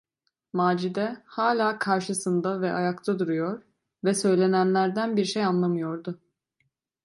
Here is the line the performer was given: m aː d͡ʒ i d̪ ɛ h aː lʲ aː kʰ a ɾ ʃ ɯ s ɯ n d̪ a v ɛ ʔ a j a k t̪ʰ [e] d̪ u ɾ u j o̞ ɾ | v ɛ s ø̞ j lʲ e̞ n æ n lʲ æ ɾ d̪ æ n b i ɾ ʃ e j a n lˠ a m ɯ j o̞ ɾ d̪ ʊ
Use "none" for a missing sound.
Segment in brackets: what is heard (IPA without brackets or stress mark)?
a